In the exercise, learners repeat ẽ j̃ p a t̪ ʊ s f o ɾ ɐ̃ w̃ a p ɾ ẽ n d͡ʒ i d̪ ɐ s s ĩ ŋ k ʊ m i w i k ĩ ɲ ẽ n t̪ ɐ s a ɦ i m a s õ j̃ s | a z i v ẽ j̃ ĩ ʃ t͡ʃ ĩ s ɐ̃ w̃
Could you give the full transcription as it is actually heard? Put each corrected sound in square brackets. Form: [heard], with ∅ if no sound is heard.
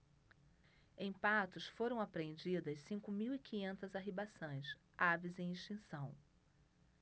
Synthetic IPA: ẽ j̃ p a t̪ ʊ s f o ɾ ɐ̃ w̃ a p ɾ ẽ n d͡ʒ i d̪ ɐ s s ĩ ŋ k ʊ m i w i k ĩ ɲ ẽ n t̪ ɐ [z] a ɦ i [b] a s õ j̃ s | a [v] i [z] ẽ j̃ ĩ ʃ t͡ʃ ĩ s ɐ̃ w̃